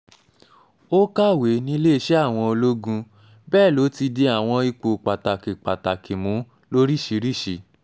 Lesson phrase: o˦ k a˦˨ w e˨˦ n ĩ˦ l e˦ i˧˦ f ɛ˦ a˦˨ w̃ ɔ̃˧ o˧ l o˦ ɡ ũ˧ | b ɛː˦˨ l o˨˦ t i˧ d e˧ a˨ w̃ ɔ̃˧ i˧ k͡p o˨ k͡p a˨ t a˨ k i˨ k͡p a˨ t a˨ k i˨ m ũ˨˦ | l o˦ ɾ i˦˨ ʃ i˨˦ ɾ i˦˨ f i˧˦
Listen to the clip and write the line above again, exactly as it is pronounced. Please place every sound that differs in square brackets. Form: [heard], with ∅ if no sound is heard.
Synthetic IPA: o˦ k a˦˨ w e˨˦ n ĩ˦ l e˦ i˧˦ [ʃ] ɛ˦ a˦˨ w̃ ɔ̃˧ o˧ l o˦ ɡ ũ˧ | b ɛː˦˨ l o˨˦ t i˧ d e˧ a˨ w̃ ɔ̃˧ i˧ k͡p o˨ k͡p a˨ t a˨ k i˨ k͡p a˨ t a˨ k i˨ m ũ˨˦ | l o˦ ɾ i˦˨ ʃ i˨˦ ɾ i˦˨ [ʃ] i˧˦